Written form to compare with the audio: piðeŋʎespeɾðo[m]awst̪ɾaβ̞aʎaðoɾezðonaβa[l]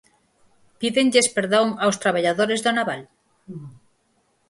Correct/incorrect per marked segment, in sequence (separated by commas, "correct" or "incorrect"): incorrect, correct